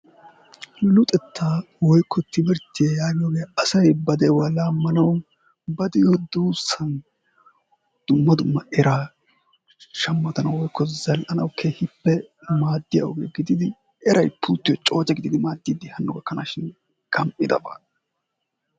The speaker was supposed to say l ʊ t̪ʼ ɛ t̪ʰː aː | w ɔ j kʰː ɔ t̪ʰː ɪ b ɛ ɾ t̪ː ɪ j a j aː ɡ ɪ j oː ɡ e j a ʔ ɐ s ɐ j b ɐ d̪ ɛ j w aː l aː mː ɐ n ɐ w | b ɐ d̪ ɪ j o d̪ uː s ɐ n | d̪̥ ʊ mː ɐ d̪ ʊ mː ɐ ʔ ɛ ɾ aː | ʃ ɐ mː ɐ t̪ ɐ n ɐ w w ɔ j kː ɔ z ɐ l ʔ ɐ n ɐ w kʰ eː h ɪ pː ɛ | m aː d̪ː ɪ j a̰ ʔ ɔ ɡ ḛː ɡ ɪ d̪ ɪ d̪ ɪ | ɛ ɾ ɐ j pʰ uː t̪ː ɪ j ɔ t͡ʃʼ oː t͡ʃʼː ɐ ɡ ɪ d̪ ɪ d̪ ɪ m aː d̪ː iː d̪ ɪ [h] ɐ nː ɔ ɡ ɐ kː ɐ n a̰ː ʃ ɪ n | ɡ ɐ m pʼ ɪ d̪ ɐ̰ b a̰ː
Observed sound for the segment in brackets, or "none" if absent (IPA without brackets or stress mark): h